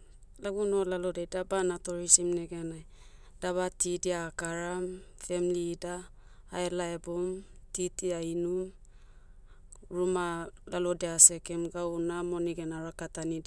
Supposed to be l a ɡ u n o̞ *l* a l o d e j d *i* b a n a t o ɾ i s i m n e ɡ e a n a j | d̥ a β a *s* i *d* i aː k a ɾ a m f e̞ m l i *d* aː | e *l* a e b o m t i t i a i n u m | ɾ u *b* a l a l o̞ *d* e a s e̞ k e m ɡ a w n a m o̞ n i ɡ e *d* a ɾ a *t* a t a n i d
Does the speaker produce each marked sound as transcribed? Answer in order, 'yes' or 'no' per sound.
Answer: yes, no, no, yes, yes, yes, no, yes, no, no

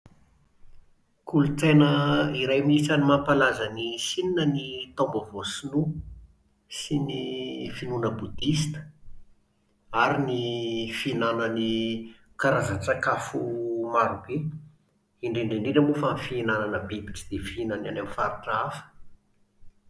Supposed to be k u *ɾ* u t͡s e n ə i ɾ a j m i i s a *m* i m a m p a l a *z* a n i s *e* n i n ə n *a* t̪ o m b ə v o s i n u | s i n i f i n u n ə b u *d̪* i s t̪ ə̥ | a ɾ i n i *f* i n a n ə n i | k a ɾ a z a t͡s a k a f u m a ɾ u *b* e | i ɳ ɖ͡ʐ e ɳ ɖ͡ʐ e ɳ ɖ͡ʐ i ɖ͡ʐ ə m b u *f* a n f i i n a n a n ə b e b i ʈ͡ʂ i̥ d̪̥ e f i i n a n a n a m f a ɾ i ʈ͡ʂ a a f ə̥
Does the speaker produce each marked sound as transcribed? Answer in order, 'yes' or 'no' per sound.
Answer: no, no, yes, no, no, yes, yes, yes, yes

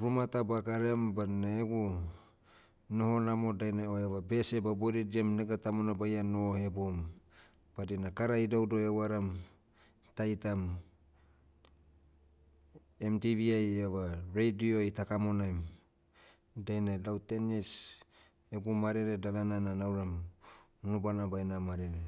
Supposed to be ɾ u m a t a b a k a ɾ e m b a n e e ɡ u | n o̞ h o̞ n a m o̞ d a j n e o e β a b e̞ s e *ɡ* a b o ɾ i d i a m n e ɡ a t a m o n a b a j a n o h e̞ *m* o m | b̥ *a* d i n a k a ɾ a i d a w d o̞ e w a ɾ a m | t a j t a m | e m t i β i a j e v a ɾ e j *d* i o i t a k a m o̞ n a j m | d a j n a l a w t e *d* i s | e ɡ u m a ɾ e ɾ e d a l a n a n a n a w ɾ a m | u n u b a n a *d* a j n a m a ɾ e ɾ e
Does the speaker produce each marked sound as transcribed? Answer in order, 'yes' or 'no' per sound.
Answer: no, no, yes, yes, no, no

